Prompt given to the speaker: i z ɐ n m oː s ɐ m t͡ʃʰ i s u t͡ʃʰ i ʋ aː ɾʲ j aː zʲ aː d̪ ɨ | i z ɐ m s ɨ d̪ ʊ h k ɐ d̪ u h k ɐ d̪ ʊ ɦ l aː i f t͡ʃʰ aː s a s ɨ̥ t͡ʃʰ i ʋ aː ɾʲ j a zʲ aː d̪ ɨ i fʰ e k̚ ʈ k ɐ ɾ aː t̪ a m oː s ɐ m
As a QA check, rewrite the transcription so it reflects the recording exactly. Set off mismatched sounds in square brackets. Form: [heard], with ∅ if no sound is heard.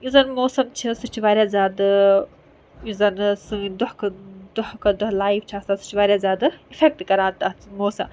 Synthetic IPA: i z ɐ n m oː s ɐ m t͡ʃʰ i s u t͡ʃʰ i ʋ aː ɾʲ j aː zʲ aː d̪ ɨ | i z ɐ [n] s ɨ d̪ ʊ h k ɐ d̪ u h k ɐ d̪ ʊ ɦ l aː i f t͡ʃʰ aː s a s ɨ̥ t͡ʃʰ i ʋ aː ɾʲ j a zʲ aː d̪ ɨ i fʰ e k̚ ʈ k ɐ ɾ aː t̪ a m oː s ɐ m